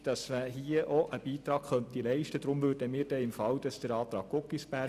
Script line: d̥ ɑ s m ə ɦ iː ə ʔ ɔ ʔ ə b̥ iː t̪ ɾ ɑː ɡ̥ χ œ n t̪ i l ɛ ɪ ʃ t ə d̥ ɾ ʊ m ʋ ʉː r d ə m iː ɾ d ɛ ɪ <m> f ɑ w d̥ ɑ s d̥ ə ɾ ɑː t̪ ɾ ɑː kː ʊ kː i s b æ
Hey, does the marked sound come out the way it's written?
yes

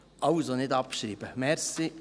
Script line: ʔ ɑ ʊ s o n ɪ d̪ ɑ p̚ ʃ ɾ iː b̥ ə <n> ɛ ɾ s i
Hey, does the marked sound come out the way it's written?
no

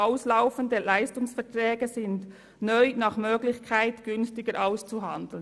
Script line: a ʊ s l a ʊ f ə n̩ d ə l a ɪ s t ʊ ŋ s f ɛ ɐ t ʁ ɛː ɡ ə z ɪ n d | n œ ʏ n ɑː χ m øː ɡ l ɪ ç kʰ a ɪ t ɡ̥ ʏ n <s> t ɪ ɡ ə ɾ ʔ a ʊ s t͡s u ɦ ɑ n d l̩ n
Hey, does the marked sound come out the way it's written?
yes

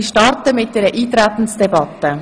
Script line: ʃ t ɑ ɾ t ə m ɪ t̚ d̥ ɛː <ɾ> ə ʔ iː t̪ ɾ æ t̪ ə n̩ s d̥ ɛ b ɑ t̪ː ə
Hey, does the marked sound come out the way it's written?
yes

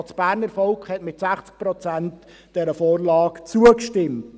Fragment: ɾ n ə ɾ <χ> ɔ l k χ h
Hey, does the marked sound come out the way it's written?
no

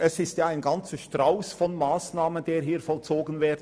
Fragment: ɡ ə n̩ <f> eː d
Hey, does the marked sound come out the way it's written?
no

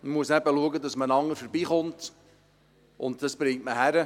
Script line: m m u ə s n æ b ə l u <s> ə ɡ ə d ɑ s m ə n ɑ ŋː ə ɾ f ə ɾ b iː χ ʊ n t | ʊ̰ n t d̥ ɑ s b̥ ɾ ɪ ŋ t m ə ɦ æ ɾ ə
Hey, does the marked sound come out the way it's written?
no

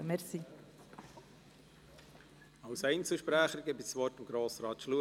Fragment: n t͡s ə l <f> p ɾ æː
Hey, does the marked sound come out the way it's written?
no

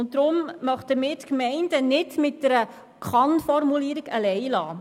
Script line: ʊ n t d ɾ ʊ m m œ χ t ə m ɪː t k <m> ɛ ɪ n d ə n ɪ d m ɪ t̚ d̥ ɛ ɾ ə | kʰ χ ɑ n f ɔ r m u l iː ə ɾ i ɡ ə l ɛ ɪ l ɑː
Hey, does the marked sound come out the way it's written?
yes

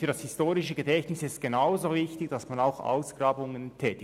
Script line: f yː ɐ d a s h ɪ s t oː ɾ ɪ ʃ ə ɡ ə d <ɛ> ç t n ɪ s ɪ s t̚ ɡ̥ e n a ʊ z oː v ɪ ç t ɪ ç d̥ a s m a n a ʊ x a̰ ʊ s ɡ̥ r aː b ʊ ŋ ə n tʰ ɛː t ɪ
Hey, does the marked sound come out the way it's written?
yes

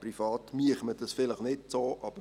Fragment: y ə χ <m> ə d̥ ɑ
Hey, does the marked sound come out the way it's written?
yes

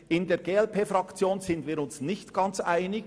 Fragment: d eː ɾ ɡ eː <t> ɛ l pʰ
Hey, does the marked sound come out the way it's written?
no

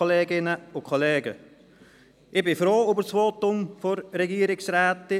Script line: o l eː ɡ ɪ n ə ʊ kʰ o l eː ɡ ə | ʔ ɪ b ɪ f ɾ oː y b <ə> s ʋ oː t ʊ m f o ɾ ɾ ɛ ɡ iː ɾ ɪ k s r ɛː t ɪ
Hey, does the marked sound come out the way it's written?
yes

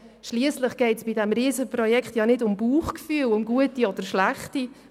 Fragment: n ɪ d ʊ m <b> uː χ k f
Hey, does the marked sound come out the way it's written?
yes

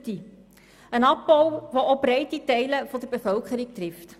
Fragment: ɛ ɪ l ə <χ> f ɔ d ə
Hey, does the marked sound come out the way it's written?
no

